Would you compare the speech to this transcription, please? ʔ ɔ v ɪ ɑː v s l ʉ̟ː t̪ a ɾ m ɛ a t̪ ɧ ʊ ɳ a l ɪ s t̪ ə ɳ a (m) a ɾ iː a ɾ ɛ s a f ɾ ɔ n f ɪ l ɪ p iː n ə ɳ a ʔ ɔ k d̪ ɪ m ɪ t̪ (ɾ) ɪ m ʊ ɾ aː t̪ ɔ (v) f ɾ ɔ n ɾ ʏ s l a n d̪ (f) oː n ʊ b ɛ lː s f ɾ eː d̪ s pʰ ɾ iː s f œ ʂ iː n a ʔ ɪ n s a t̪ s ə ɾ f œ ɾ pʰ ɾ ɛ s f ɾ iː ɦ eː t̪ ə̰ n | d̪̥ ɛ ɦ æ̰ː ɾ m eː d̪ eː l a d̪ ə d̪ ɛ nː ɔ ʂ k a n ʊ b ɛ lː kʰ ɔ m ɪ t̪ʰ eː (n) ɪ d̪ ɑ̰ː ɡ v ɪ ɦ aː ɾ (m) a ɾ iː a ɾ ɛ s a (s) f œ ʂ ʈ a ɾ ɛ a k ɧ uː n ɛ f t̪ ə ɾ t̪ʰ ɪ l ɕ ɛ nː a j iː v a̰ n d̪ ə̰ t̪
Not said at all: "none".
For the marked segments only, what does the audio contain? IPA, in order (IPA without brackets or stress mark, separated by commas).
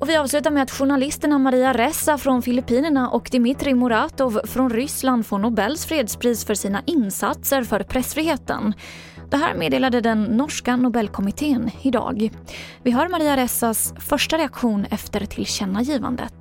m, ɾ, v, f, n, m, s